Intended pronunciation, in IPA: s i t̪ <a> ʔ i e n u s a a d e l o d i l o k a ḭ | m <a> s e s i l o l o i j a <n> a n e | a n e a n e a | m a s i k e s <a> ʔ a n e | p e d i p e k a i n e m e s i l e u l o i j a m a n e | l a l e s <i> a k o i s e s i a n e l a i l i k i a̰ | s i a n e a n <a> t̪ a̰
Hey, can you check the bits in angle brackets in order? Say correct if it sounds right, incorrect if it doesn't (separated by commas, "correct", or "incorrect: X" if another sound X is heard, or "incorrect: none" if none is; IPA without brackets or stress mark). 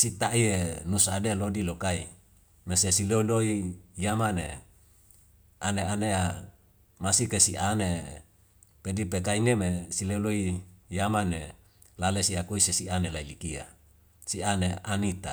correct, incorrect: e, incorrect: m, incorrect: i, correct, incorrect: i